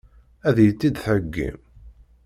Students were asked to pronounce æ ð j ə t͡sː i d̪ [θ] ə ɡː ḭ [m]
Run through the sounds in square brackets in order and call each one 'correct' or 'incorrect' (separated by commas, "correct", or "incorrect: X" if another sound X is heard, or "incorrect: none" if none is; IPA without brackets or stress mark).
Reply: correct, correct